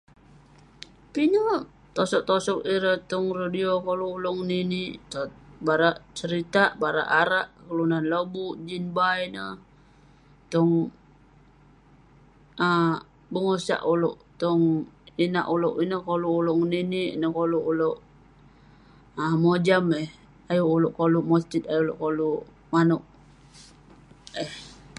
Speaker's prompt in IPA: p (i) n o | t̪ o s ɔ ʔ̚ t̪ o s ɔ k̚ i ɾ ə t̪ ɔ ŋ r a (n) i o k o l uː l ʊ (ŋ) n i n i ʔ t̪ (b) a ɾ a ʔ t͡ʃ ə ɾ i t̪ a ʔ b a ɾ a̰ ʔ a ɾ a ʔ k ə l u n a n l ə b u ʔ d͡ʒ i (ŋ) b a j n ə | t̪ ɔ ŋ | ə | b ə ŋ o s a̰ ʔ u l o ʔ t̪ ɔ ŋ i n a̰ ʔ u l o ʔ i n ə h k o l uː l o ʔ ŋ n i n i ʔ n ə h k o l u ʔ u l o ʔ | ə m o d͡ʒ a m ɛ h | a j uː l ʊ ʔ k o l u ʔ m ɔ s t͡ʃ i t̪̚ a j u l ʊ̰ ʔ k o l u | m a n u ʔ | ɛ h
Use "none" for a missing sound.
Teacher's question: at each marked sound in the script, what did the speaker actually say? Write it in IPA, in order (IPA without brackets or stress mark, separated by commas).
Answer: i, d, ŋ, b, n